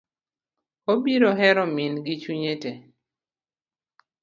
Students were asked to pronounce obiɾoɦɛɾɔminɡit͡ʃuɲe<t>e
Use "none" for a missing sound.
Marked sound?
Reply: t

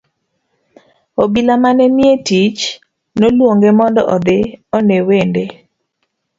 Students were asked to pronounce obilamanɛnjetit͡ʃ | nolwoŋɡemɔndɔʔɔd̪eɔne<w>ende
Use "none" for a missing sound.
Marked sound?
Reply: w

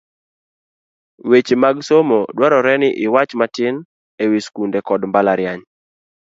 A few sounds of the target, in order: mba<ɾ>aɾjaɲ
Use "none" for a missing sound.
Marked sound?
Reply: l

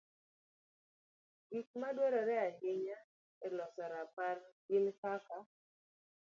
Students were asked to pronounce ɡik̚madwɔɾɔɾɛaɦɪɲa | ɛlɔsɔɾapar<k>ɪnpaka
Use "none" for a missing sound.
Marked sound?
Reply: ɡ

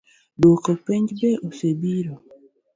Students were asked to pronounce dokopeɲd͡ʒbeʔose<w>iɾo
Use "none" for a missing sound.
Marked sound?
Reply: b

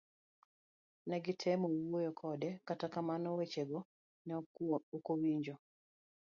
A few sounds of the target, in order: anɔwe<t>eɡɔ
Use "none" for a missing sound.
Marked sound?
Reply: t͡ʃ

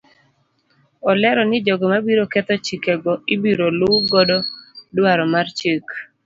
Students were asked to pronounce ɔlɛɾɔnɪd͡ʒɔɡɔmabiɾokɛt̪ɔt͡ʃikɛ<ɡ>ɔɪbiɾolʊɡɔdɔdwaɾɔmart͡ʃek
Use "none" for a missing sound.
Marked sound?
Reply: ɡ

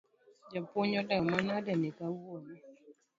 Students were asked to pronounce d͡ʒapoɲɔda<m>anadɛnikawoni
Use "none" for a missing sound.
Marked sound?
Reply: m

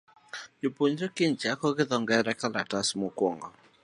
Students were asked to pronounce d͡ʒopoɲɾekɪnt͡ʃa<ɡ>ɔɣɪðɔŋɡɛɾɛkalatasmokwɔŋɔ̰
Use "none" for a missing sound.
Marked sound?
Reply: k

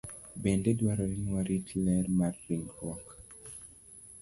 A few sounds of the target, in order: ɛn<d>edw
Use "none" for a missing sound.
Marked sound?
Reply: d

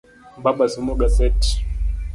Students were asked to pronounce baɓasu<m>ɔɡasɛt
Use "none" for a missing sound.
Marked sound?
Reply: m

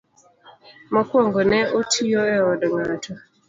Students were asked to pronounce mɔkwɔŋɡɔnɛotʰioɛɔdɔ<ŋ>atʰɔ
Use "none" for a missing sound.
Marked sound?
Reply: ŋ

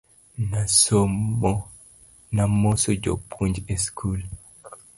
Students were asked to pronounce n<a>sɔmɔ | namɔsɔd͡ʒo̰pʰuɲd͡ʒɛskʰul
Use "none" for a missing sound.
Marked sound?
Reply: a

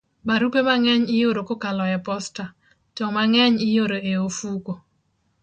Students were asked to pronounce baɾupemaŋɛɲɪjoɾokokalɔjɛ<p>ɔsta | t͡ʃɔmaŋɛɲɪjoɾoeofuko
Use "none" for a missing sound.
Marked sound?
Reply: p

